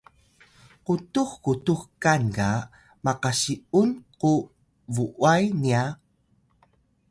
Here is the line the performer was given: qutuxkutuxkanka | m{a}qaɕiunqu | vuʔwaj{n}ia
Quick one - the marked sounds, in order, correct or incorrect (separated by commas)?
correct, correct